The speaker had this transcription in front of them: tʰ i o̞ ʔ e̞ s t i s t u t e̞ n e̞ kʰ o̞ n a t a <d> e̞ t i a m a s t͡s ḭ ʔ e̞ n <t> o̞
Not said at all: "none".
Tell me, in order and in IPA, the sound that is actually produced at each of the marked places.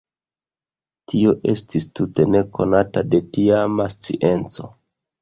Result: d, t͡s

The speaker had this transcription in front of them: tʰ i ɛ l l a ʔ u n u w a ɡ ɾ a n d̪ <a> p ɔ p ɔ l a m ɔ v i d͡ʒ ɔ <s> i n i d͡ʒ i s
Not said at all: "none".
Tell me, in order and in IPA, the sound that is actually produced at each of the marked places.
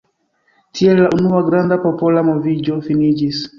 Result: a, f

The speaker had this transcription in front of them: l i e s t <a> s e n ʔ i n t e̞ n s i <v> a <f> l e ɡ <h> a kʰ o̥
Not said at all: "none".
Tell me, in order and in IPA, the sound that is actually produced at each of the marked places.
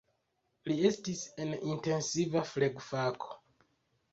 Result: i, v, f, f

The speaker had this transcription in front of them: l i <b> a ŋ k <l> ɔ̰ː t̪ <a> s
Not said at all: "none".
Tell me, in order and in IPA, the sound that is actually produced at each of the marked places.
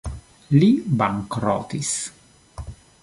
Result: b, ɾ, i

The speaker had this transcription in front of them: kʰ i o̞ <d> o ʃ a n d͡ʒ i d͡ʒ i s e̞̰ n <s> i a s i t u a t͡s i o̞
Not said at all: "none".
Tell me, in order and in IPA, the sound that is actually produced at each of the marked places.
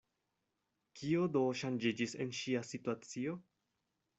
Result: d, ʃ

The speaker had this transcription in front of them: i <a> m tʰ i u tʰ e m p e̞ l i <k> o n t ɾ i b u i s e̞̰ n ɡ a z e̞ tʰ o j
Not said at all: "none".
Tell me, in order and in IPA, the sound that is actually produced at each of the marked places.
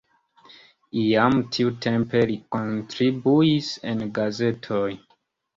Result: a, k

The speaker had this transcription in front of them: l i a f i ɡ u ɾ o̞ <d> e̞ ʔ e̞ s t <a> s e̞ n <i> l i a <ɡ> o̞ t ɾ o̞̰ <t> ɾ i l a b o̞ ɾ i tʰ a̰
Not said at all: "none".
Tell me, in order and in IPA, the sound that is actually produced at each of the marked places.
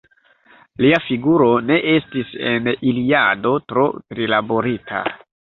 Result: n, i, i, d, t

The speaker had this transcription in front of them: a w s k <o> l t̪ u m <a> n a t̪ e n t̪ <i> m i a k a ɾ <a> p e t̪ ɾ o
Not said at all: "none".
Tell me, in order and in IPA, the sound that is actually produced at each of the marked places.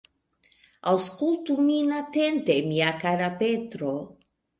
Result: u, i, e, a

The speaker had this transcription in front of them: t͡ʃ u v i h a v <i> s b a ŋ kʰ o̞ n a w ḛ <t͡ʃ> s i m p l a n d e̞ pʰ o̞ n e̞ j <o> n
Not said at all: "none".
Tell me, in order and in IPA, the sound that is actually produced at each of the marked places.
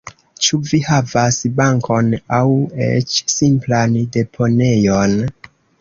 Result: a, t͡ʃ, o

